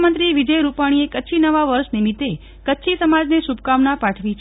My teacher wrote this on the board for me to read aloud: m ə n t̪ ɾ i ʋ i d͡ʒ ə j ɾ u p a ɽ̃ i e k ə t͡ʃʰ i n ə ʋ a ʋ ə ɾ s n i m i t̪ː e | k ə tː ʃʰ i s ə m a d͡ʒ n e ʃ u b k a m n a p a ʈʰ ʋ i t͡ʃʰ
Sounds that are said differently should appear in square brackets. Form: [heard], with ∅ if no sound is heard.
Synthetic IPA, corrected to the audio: m ə n t̪ ɾ i ʋ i d͡ʒ ə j ɾ u p a ɽ̃ i e k ə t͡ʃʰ i n ə ʋ a ʋ ə ɾ [ʃ] n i m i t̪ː e | k ə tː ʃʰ i s ə m a d͡ʒ n e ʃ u b k a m n a p a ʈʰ ʋ i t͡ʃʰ